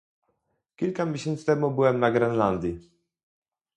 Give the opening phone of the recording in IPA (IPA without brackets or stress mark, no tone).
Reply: kʲ